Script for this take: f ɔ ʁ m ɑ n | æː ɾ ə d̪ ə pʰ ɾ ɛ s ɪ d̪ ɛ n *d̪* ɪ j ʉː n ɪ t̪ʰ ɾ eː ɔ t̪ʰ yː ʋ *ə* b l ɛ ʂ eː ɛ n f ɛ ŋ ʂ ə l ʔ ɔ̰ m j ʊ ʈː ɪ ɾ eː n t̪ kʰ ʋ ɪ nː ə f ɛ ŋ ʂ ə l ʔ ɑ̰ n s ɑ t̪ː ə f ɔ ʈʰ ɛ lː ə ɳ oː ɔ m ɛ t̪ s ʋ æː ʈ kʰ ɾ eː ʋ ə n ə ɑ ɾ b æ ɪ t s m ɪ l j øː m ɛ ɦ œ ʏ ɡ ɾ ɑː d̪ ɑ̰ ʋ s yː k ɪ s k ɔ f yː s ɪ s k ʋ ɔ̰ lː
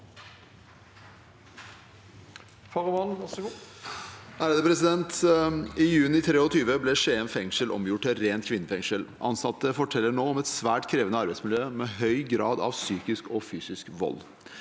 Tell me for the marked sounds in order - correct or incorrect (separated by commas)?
incorrect, correct